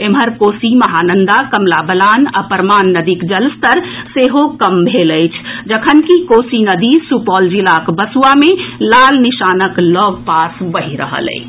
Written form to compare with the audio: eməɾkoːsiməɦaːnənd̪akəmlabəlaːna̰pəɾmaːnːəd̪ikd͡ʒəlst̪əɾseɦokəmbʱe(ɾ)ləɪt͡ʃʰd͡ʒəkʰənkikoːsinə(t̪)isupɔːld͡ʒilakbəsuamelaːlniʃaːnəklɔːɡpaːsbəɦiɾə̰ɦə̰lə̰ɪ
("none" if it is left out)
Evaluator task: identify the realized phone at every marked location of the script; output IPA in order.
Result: none, d̪

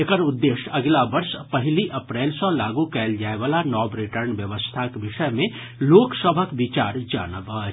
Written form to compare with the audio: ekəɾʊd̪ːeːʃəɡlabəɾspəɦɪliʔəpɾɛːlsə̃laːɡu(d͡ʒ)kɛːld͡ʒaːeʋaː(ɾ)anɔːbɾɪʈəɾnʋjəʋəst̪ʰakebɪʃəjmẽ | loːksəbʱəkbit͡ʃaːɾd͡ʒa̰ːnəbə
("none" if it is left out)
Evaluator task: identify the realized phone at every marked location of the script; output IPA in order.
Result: none, l

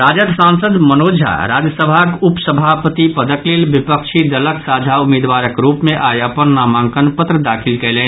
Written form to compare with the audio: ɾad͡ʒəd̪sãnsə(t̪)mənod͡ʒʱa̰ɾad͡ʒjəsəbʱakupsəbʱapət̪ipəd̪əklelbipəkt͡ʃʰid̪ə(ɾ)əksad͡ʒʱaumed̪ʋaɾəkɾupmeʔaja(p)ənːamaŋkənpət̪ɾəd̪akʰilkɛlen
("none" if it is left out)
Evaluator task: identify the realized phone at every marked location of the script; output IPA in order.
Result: d̪, l, p

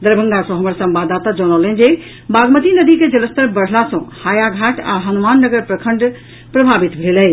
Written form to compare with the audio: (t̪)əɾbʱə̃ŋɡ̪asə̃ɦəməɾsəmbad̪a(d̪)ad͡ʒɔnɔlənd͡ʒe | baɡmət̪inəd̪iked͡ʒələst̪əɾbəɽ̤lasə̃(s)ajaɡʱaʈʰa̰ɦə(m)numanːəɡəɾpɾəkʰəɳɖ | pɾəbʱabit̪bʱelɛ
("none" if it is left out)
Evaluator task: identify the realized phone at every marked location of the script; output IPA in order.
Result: d̪, t̪, h, none

